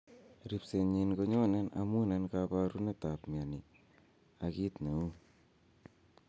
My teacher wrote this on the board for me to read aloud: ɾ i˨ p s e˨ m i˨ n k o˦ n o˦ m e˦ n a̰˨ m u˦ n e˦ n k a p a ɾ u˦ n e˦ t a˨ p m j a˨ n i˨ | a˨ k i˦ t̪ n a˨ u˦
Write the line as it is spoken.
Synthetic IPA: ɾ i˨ p s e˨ ɲ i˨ n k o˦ ɲ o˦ n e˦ n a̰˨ m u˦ n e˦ n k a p a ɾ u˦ n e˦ t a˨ p m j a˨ n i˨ | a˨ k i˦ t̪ n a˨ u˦